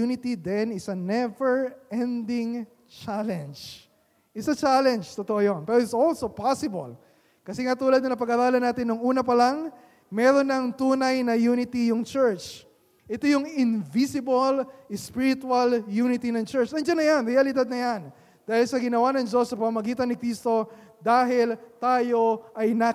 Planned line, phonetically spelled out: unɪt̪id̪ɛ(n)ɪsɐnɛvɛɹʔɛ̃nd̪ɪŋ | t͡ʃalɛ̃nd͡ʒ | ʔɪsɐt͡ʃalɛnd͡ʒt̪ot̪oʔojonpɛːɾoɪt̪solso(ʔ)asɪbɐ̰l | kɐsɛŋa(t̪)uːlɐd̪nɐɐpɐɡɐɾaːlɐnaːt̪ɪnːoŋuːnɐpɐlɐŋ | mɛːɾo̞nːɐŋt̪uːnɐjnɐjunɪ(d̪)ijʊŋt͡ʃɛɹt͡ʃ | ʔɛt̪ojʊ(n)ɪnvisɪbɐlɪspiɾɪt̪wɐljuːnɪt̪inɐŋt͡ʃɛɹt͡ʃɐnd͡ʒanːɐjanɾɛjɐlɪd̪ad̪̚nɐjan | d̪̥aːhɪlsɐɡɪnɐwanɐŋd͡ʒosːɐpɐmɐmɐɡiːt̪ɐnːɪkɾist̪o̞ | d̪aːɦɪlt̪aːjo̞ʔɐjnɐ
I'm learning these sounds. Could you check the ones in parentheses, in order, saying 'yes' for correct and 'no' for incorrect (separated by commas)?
yes, no, yes, no, no